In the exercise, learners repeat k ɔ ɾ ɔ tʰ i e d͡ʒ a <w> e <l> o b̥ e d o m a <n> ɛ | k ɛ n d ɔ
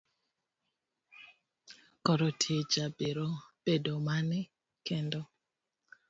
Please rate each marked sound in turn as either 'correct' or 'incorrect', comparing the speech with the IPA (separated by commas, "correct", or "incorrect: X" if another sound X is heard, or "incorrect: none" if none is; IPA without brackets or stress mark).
incorrect: b, incorrect: ɾ, correct